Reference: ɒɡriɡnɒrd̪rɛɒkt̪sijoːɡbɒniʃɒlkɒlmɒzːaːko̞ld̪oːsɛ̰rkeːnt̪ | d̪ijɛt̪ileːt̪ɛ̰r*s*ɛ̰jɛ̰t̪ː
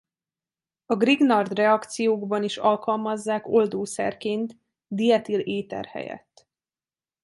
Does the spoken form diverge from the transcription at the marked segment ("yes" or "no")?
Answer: yes